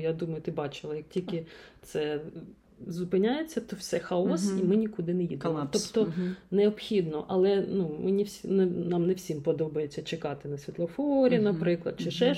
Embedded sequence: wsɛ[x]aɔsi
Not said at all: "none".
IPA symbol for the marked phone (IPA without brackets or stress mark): x